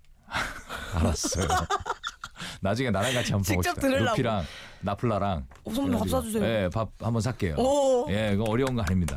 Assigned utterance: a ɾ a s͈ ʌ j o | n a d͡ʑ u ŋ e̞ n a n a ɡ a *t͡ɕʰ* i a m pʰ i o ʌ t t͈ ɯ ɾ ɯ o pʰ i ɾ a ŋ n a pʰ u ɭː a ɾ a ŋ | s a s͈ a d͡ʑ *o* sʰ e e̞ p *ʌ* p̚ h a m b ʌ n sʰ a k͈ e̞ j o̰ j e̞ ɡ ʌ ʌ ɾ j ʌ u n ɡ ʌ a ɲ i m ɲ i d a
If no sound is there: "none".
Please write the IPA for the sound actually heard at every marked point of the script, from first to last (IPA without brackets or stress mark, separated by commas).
t͡ɕʰ, u, a